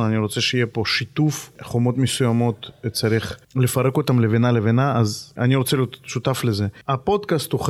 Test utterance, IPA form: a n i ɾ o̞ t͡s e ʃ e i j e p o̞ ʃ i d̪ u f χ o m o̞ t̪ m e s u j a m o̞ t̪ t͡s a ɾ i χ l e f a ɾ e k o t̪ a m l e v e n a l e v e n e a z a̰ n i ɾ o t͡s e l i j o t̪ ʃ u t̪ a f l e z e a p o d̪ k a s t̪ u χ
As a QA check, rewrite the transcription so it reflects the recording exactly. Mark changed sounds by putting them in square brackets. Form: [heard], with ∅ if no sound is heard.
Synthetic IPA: a n i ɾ o̞ t͡s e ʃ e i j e p o̞ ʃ i [t̪] u f χ o m o̞ t̪ m e s u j a m o̞ t̪ t͡s a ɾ i χ l e f a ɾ e k o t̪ a m l e v e n a l e v e n [a] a z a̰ n i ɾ o t͡s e l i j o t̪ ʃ u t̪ a f l e z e a p o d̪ k a s t̪ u χ